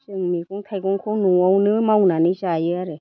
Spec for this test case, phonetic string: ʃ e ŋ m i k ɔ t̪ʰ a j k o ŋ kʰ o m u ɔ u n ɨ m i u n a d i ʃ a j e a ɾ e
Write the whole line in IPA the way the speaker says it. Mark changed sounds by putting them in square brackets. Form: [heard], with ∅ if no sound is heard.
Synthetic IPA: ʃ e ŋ m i k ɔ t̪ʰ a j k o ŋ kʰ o [n] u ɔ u n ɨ m [a] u n a [n] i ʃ a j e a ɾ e